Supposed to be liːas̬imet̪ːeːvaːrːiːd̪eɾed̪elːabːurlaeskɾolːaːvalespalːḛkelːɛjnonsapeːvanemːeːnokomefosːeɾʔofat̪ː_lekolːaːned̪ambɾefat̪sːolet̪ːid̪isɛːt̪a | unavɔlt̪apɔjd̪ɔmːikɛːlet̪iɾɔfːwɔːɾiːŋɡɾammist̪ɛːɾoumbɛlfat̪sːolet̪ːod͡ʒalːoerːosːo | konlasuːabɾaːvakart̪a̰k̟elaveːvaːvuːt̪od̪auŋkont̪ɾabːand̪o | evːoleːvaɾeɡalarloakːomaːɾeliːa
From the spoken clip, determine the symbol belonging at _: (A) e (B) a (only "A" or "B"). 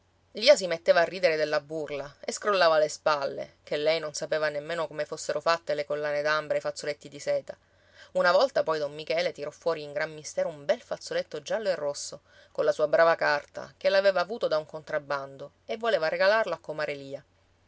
A